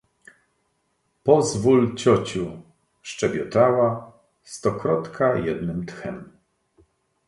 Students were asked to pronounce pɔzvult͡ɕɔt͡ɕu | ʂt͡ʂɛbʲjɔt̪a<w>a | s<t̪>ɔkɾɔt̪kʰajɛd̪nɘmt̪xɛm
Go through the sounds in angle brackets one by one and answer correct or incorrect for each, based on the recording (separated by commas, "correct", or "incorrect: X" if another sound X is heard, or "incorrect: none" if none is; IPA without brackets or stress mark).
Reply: correct, correct